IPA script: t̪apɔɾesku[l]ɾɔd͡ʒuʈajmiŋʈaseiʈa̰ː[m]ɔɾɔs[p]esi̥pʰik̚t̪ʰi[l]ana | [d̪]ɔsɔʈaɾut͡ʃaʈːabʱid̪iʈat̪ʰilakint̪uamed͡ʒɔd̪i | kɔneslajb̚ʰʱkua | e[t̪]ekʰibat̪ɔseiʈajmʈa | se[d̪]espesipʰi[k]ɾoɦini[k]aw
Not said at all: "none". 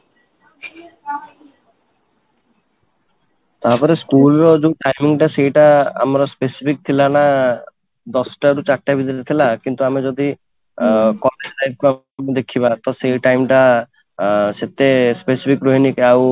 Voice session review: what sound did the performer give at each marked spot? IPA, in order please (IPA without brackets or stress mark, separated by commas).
l, m, p, l, d̪, d̪, t̪, k, k